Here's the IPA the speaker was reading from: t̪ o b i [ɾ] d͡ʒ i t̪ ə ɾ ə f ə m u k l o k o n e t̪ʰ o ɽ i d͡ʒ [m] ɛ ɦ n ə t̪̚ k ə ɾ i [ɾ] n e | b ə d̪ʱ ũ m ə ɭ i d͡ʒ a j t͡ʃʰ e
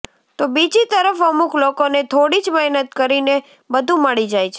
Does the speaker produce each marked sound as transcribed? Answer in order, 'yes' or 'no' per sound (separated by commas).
no, yes, no